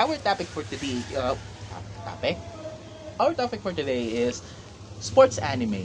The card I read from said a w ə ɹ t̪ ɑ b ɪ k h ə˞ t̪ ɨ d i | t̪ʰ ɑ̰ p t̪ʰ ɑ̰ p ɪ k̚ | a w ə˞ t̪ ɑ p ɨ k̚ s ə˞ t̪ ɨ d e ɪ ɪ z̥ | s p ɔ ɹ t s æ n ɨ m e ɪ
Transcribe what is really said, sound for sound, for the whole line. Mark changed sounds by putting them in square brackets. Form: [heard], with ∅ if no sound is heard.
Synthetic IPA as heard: a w ə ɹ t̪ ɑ [p] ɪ k [f] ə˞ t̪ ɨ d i | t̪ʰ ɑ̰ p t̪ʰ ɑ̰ p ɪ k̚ | a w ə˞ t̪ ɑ p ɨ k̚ [f] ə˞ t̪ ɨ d e ɪ ɪ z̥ | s p ɔ ɹ t s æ n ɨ m e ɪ